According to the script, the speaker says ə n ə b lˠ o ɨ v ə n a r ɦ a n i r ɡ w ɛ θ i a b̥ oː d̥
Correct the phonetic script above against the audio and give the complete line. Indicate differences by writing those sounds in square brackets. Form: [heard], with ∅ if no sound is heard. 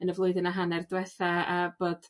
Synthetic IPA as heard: ə n ə [v] lˠ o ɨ [ð] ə n a [∅] ɦ a n [ɛ] r [d] w ɛ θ [a] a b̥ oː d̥